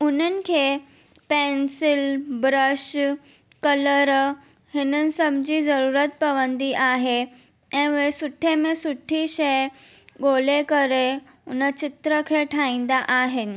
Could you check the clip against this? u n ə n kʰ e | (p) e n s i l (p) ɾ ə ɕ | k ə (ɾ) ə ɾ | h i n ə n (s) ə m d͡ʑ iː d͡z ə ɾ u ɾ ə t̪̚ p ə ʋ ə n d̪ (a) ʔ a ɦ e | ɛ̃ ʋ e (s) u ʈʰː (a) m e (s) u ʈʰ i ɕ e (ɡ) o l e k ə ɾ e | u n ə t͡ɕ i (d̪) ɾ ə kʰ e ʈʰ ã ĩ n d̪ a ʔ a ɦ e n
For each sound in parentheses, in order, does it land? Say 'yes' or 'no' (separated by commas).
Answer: yes, no, no, yes, no, yes, no, yes, yes, no